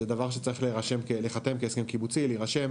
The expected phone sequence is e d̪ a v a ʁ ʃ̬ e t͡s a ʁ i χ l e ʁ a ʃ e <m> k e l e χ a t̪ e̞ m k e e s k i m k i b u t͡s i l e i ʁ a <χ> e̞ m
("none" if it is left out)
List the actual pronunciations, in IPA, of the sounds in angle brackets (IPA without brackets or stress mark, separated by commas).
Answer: m, ʃ